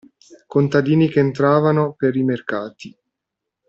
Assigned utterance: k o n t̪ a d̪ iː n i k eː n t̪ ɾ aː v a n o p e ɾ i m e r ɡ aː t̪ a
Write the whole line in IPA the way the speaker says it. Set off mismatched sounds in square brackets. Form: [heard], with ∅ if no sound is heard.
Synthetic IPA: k o n t̪ a d̪ iː n i k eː n t̪ ɾ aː v a n o p e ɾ i m e r [k] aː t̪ [i]